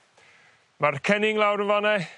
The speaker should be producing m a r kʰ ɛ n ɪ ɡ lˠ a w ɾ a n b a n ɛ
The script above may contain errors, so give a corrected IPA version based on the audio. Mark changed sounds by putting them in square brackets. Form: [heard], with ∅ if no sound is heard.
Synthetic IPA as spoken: m a r kʰ ɛ n ɪ [ŋ] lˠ a w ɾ [ə] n [v] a n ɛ